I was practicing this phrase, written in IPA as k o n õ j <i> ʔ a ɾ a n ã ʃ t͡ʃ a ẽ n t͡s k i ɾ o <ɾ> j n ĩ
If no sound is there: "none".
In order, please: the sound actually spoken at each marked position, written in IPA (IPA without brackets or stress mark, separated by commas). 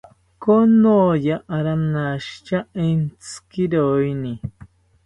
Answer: a, none